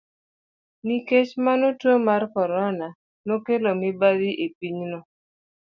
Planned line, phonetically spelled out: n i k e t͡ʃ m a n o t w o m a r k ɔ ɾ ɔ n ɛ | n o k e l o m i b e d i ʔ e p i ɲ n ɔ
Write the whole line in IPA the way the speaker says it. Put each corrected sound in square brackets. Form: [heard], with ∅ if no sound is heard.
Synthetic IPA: n i k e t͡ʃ m a n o t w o m a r k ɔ ɾ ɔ n [a] | n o k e l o m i b [a] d i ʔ e p i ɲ n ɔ